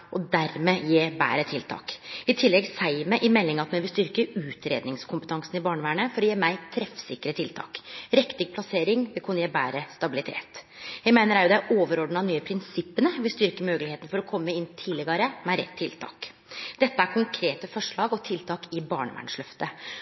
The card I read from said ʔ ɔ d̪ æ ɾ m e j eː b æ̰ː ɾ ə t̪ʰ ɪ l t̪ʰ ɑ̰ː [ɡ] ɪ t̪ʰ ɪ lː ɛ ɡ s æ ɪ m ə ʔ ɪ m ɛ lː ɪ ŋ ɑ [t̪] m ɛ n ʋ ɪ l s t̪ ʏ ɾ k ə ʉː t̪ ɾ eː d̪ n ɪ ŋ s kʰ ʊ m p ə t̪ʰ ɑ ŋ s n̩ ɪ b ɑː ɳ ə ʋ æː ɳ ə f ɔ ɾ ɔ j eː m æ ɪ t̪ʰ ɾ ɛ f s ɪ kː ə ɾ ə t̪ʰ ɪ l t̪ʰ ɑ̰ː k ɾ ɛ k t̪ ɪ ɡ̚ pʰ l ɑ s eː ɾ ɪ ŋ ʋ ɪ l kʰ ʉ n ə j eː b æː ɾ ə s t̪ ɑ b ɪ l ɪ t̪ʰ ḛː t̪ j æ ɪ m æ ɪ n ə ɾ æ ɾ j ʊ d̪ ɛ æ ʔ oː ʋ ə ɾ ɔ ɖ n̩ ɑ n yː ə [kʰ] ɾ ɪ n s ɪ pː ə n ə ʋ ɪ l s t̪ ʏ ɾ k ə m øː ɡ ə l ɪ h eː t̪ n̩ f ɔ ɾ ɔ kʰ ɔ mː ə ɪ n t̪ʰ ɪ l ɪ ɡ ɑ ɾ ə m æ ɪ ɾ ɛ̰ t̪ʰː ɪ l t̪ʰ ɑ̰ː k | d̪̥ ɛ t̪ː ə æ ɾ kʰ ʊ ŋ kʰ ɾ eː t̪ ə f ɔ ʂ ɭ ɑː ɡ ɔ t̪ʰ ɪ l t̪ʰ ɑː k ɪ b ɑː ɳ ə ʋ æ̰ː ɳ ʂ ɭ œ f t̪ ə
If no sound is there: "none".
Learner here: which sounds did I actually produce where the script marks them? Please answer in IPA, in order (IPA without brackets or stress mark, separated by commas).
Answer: k, t̪, pʰ